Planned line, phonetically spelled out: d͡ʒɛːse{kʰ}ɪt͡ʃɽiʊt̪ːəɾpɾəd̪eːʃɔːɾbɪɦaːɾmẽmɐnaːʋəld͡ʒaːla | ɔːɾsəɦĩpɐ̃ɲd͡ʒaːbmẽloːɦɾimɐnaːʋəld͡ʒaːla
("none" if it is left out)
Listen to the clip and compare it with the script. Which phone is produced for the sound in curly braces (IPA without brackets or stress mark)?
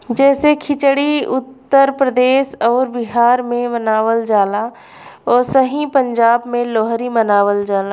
kʰ